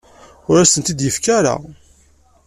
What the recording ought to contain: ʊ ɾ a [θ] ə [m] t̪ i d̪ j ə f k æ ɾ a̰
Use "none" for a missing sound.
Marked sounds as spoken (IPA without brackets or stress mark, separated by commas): s, n